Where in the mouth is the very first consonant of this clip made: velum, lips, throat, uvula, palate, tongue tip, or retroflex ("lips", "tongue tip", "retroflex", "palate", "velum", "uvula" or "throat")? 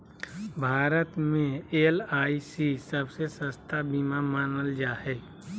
lips